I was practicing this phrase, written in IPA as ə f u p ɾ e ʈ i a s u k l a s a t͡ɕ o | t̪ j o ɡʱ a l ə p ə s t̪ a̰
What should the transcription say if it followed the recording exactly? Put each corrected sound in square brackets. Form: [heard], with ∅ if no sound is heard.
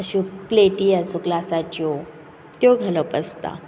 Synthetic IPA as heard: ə [ɕ] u p [l] e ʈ i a s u k l a s a t͡ɕ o | t̪ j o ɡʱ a l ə p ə s t̪ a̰